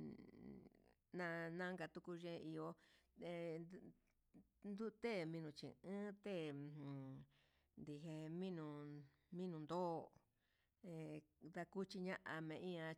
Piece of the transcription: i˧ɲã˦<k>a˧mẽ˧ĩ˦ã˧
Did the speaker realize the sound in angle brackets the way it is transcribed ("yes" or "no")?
no